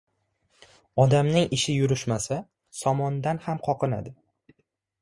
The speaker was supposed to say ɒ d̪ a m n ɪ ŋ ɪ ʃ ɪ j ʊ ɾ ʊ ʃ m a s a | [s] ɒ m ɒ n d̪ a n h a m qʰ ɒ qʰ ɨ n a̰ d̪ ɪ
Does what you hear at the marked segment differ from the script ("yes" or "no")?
no